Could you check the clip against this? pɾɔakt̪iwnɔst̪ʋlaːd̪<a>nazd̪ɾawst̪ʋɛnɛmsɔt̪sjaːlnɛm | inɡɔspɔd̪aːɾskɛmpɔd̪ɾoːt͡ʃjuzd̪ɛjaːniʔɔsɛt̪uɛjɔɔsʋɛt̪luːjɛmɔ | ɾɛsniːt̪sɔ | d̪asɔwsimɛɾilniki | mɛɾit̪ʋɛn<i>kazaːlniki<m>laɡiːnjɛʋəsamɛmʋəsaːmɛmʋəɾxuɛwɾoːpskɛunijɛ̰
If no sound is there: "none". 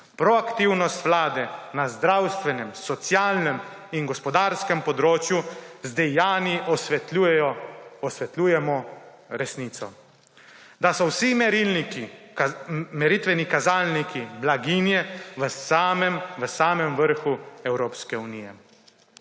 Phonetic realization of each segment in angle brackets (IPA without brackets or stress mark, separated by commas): ɛ, i, b